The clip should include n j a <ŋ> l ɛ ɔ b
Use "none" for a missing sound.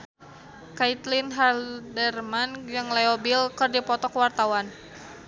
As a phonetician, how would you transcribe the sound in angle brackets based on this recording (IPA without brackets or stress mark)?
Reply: ŋ